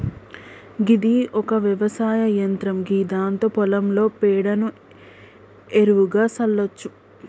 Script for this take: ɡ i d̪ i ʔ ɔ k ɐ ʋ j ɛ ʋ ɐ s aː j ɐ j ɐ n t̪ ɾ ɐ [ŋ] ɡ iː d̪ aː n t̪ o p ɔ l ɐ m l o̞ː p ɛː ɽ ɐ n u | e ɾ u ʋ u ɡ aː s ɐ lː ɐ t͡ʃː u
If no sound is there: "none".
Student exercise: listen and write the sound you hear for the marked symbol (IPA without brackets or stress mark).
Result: m